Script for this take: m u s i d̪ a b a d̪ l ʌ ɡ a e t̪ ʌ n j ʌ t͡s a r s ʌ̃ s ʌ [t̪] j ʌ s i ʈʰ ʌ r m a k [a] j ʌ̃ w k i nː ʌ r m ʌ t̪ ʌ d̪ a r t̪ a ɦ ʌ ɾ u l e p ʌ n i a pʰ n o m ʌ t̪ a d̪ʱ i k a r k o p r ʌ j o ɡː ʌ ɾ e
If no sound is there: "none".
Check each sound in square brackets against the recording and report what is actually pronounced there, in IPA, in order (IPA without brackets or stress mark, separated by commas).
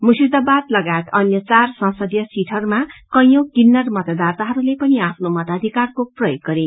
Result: d̪, ʌ